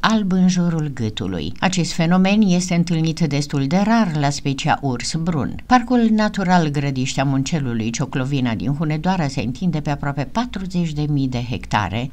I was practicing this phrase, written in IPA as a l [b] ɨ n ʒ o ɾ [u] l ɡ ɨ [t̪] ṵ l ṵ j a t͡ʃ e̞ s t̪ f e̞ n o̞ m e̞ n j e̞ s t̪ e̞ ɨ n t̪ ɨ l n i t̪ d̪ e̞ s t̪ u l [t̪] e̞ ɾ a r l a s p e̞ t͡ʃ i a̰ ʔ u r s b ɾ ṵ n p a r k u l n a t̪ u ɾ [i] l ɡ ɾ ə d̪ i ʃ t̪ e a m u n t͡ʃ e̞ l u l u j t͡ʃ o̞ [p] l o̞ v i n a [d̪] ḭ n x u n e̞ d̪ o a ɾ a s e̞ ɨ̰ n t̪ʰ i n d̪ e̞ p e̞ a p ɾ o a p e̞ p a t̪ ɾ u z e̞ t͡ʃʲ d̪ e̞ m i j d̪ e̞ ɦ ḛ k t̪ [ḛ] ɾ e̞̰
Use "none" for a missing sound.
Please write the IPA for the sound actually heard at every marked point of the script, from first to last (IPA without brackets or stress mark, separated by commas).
b, u, t̪, d̪, a, k, d̪, a̰